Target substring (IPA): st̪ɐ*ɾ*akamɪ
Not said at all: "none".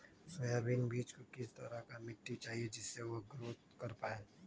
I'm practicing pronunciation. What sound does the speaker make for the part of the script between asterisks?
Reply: ɾ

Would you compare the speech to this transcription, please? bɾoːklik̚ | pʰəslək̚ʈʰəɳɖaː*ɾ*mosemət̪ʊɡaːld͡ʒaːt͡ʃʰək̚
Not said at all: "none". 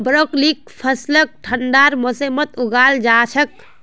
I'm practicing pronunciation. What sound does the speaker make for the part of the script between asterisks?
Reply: ɾ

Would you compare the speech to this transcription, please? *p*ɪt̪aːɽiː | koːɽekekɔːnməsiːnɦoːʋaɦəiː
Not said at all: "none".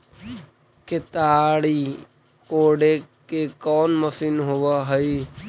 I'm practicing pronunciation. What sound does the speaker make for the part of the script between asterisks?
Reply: k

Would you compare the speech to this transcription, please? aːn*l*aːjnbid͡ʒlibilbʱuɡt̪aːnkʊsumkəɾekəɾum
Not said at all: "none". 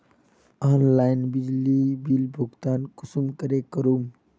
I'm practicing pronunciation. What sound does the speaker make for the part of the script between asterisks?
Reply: l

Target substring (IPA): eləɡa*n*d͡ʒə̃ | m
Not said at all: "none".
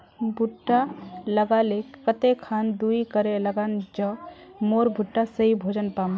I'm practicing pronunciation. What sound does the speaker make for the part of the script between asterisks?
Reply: n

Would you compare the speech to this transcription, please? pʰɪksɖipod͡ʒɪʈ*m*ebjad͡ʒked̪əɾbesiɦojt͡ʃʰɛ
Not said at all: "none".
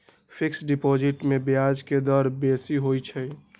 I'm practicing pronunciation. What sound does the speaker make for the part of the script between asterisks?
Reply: m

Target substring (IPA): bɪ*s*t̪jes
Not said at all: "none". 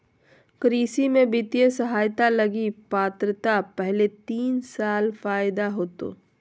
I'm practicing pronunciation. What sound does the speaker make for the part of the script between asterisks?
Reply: none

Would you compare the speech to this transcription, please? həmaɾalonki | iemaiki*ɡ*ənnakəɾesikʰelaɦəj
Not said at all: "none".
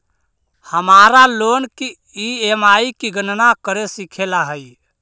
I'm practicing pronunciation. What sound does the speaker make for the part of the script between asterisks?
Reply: ɡ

